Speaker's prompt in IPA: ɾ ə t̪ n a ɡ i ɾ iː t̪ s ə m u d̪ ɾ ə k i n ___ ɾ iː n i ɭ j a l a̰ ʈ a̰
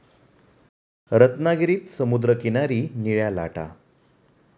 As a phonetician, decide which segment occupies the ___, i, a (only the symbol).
a